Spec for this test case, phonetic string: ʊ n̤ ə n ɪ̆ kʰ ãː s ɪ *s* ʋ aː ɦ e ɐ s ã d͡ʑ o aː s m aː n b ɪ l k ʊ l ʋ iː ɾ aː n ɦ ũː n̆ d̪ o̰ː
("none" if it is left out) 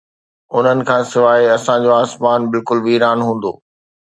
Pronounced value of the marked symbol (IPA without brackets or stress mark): none